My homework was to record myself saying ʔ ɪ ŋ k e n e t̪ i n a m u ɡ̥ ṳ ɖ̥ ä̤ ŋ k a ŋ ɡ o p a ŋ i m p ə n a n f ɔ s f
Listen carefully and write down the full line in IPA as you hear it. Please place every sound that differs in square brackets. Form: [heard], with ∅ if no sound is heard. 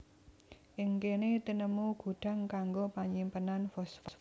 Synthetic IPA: ʔ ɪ ŋ k e n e t̪ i n [ə] m u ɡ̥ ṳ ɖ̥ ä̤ ŋ k a ŋ ɡ o p a [ɲ] i m p ə n a n f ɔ s f